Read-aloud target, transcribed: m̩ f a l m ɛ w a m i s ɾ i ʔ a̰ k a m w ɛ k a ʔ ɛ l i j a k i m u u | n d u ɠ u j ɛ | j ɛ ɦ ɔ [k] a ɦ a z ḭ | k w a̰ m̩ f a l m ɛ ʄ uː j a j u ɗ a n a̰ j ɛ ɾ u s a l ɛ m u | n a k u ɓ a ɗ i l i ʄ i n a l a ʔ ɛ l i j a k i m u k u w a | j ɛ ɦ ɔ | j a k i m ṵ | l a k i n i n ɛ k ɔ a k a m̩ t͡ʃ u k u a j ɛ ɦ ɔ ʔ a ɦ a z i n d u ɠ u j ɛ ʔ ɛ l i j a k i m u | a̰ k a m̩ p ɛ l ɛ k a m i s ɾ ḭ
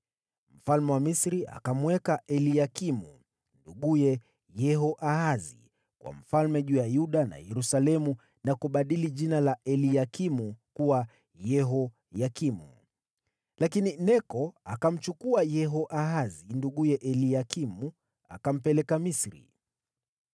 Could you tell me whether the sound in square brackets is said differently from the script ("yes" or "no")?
yes